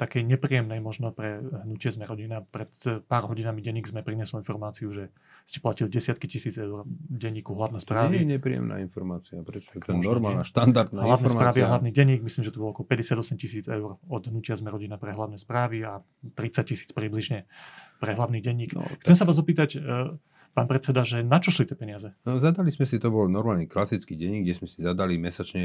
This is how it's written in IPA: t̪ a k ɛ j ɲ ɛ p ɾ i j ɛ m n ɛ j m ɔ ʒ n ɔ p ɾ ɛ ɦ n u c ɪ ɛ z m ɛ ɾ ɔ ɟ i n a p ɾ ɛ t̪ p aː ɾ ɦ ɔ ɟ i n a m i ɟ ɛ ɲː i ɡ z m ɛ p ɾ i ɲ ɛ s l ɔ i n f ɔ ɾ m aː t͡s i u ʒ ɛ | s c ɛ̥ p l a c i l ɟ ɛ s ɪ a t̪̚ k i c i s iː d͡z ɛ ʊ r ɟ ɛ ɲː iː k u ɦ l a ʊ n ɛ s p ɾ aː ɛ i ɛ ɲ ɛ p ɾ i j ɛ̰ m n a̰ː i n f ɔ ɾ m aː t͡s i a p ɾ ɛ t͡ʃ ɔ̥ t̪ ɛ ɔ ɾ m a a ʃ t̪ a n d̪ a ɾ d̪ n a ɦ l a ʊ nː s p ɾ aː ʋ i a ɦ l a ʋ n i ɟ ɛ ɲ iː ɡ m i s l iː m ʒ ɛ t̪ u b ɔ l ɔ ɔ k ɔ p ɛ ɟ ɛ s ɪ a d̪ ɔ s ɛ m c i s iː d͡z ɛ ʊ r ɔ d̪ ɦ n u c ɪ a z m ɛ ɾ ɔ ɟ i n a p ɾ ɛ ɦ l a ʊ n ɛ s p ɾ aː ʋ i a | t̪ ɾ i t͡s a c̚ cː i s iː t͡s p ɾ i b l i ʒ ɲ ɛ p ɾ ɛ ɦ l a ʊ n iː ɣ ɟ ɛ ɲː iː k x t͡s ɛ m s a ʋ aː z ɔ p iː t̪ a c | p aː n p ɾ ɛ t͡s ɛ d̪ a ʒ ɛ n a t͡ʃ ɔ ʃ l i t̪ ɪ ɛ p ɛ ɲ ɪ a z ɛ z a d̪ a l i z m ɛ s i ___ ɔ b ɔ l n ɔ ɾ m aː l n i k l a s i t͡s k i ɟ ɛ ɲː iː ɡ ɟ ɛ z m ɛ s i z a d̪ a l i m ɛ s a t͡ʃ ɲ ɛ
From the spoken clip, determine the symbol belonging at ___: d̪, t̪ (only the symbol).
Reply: t̪